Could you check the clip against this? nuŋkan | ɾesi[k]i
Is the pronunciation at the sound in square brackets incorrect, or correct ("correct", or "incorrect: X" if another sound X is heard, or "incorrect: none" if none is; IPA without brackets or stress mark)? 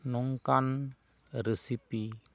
incorrect: p